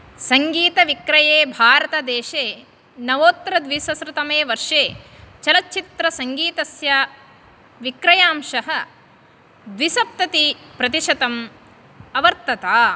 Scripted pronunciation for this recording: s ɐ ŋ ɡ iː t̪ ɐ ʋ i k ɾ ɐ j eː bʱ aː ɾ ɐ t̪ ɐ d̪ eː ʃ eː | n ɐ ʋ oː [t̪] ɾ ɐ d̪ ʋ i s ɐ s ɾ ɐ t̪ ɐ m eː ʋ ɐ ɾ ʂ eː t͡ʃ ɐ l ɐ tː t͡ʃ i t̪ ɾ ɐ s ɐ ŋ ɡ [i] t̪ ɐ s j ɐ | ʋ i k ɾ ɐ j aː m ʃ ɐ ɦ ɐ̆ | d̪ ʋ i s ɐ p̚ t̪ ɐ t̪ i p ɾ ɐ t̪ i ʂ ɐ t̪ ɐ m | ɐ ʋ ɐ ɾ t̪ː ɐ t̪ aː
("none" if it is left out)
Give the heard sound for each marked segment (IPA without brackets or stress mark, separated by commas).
t̪, iː